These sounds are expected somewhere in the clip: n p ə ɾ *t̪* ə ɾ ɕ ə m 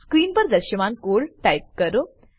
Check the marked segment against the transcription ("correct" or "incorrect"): incorrect